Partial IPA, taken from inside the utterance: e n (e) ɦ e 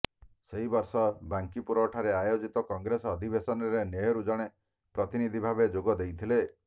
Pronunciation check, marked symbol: correct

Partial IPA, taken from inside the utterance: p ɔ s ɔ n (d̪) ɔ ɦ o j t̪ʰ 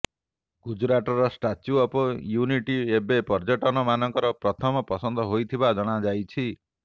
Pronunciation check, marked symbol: correct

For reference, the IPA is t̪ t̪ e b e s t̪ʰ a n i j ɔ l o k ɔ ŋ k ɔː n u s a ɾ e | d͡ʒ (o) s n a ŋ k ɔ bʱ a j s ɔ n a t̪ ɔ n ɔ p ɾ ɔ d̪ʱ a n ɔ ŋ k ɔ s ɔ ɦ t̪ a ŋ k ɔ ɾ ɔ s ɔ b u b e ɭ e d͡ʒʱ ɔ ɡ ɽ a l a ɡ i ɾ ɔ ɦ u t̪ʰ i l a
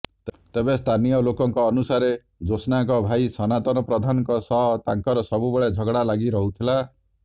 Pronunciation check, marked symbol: correct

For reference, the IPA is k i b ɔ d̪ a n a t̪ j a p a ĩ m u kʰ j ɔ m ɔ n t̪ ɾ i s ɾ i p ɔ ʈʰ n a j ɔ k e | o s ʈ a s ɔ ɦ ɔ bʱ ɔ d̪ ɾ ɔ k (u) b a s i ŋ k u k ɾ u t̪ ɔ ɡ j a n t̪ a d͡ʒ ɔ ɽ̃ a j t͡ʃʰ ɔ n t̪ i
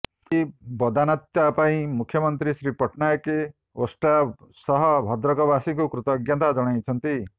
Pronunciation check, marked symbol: incorrect: ɔ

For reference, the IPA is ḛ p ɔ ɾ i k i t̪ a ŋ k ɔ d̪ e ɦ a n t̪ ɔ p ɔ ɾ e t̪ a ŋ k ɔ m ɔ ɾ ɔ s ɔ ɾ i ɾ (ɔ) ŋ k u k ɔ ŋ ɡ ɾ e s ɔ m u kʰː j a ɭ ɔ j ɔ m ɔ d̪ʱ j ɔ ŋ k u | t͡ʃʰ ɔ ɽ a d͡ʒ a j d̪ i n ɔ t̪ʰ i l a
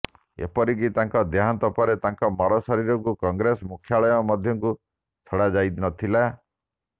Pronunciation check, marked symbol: correct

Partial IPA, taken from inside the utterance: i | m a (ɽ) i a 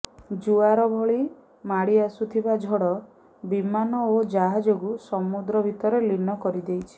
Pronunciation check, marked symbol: correct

